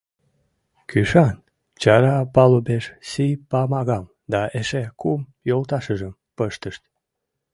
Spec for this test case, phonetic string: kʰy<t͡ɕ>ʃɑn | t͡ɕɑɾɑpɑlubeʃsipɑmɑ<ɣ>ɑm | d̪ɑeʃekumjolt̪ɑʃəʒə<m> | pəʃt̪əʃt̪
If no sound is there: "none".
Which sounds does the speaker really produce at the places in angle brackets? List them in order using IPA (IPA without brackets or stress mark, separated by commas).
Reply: none, ɣ, m